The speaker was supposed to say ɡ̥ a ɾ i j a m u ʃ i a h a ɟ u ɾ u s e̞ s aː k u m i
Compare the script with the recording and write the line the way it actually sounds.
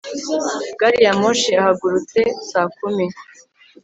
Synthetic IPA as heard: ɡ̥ a ɾ i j a m o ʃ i a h a ɡ u ɾ u t͡s e̞ s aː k u m i

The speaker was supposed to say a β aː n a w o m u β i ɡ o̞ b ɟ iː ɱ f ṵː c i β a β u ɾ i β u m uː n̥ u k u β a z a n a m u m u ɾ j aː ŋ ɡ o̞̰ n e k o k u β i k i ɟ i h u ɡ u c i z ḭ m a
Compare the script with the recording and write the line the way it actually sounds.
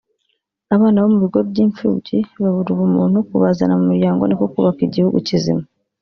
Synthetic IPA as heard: a β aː n a β o m u β i ɡ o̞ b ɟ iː ɱ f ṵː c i β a β u ɾ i β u m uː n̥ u k u β a z a n a m u m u ɾ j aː ŋ ɡ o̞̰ n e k o k u β a k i ɟ i h u ɡ u c i z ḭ m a

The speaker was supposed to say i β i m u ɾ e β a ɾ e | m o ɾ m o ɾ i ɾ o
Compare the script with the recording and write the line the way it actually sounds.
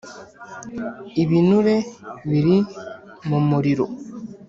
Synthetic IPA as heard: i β i n u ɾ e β i ɾ i | m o m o ɾ i ɾ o

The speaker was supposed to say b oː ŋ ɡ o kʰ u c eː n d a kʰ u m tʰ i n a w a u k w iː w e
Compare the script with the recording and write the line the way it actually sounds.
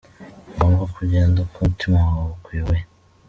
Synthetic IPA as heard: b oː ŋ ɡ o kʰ u ɟ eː n d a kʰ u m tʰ i m a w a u k w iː w e

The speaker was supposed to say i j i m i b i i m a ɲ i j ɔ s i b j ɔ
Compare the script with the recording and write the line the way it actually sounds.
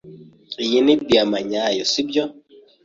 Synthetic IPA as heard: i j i n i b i a m a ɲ a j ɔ s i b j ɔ

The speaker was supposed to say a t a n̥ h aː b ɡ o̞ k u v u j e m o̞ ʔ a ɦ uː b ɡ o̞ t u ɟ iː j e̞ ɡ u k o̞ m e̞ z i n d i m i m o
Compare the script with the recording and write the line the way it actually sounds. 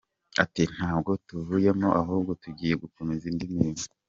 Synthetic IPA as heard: a t i n̥ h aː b ɡ o̞ t u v u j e m o̞ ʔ a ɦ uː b ɡ o̞ t u ɟ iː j e̞ ɡ u k o̞ m e̞ z i n d i m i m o

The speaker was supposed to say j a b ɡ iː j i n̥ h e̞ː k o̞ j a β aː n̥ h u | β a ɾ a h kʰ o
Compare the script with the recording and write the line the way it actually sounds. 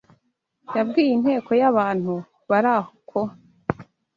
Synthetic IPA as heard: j a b ɡ iː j i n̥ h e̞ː k o̞ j a β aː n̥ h u | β a ɾ a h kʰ o

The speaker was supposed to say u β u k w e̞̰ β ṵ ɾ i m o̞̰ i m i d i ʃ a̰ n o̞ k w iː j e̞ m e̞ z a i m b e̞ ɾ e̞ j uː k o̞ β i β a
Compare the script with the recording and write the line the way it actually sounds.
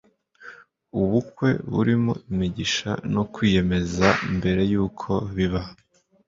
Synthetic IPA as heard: u β u k w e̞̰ β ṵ ɾ i m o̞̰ i m i ɟ i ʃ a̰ n o̞ k w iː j e̞ m e̞ z a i m b e̞ ɾ e̞ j uː kʰ o̞ β i β a

